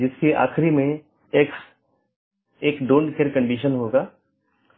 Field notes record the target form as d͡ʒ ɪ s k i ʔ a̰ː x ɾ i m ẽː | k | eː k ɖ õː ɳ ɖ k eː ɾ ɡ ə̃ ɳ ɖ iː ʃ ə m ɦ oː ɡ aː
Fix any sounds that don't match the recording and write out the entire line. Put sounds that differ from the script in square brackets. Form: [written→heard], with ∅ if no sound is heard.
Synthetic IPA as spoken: d͡ʒ ɪ s k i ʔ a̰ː x ɾ i m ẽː | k | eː k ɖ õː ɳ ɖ k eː ɾ [ɡ→k] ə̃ ɳ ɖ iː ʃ ə [m→n] ɦ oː ɡ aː